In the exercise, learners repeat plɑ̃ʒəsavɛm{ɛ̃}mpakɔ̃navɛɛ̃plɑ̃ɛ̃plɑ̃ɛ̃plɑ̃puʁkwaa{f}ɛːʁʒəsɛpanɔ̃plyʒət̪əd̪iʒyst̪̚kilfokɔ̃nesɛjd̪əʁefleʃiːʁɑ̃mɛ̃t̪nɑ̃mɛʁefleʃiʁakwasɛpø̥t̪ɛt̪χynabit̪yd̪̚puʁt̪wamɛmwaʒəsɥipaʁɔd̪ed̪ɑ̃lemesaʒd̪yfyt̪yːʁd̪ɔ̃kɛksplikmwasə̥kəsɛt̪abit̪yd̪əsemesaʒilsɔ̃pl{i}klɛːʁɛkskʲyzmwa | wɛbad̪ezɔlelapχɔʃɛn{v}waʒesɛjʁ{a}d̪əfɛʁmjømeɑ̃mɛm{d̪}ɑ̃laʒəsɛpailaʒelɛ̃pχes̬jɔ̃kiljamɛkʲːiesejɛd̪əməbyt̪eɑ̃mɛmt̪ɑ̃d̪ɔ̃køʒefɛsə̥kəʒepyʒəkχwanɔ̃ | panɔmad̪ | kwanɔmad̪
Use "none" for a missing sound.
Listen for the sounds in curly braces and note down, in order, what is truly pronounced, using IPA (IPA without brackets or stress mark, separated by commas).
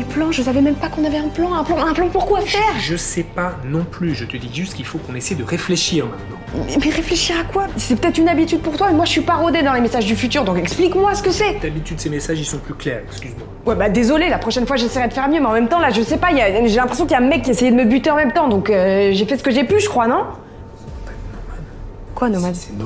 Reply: ɛ, f, y, f, ɛ, t̪